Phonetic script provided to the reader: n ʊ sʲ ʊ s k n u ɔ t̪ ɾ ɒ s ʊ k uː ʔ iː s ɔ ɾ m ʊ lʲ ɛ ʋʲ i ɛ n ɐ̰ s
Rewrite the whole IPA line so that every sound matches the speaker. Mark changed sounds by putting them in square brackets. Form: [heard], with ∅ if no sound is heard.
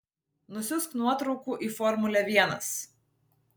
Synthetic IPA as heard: n ʊ sʲ ʊ s k n u ɔ t̪ ɾ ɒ [∅] ʊ k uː ʔ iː [f] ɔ ɾ m ʊ lʲ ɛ ʋʲ i ɛ n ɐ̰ s